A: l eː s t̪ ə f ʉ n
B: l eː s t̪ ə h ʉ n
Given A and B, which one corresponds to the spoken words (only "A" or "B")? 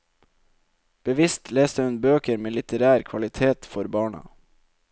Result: B